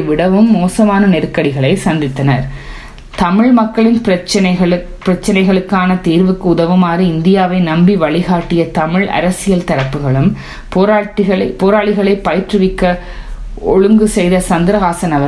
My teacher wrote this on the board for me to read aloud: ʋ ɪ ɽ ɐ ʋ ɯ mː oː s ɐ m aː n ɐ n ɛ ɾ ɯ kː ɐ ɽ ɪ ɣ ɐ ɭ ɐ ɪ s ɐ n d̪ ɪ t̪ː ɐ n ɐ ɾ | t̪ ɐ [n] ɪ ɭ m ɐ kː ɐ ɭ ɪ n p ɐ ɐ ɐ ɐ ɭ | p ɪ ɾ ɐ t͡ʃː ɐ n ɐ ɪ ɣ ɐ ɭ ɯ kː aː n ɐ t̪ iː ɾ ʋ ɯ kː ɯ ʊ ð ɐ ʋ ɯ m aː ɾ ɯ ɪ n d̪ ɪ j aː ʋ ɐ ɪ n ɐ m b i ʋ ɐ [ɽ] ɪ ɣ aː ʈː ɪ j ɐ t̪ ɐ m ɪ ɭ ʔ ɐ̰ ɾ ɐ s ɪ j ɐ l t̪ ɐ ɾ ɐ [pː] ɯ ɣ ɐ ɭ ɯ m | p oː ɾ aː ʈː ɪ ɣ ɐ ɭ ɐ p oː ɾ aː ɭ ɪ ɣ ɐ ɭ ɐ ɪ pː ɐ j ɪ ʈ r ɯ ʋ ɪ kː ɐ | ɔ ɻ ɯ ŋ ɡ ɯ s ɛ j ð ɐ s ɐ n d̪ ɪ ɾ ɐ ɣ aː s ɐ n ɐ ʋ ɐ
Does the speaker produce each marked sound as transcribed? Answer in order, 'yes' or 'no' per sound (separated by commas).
no, no, yes